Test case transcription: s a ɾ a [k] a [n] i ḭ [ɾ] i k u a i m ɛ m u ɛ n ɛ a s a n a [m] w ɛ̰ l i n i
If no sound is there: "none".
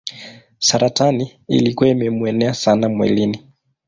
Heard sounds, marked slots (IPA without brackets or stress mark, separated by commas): t, n, l, m